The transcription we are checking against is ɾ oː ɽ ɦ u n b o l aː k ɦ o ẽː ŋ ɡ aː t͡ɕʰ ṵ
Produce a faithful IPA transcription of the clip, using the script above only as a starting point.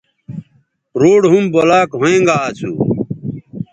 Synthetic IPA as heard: ɾ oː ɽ ɦ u m b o l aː k ɦ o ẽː ŋ ɡ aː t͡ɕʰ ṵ